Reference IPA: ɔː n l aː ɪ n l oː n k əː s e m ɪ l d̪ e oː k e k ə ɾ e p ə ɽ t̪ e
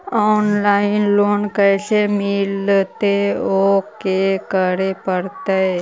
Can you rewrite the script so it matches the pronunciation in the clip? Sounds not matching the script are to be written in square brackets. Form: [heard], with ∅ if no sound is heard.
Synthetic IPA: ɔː n l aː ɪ n l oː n k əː s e m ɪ l [t̪] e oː k e k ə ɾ e p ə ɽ t̪ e